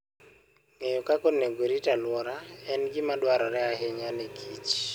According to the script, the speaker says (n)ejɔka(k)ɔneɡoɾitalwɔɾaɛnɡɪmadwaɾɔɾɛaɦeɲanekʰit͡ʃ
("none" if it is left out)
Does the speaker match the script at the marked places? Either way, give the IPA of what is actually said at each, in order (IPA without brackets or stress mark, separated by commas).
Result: ŋ, k